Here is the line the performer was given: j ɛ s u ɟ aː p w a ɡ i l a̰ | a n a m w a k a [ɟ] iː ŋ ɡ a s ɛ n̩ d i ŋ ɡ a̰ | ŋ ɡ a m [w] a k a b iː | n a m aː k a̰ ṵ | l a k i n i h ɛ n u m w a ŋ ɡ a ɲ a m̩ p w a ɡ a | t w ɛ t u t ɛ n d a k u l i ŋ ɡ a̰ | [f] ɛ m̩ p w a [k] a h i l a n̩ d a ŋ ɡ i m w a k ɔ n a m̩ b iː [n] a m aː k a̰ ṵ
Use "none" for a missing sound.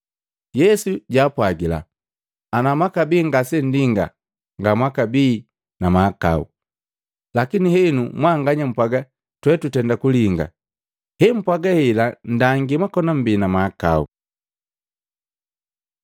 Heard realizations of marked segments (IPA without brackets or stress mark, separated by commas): b, w, h, ɡ, n